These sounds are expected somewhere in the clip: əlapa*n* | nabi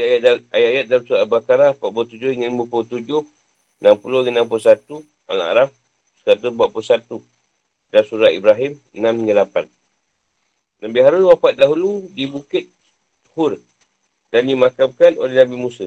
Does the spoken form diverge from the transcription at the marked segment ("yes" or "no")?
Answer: no